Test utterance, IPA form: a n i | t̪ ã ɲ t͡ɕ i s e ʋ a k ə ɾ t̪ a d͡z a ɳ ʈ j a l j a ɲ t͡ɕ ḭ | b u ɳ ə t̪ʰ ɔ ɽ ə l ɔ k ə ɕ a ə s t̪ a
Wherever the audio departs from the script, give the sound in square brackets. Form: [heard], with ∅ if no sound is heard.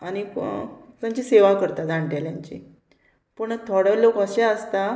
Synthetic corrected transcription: a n i | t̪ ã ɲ t͡ɕ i s e ʋ a k ə ɾ t̪ a d͡z a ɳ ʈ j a l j a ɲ t͡ɕ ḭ | [p] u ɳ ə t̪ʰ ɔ ɽ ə l [o] k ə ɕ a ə s t̪ a